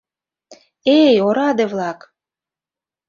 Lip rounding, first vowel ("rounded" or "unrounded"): unrounded